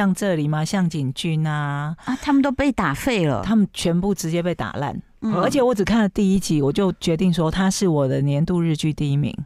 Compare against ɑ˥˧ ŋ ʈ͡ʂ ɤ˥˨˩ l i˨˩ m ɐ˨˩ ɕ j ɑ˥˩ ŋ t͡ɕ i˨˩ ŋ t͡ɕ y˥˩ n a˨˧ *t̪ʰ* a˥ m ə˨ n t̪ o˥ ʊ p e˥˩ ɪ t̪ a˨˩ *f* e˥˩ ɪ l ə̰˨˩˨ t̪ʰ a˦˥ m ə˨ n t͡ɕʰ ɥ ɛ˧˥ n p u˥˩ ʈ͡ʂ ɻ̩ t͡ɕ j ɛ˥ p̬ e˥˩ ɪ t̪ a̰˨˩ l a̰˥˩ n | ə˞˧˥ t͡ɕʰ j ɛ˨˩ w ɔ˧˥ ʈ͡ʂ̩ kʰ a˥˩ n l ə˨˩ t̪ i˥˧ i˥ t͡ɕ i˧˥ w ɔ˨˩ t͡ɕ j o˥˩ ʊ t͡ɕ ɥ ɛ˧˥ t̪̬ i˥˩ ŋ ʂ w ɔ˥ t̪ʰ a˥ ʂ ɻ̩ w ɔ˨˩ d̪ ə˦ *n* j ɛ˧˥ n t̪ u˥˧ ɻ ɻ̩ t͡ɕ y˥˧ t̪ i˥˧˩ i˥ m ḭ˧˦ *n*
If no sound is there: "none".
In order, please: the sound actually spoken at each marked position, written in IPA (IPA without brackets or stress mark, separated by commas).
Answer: t̪ʰ, f, n, ŋ